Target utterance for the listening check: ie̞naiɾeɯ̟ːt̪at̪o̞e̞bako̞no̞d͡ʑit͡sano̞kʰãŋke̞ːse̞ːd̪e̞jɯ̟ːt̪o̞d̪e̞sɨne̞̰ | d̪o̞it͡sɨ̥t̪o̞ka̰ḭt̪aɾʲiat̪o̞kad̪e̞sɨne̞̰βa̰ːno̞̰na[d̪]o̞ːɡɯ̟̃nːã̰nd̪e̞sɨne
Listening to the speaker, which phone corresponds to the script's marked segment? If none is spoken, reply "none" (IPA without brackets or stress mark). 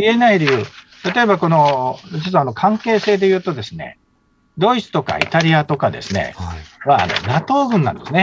t̪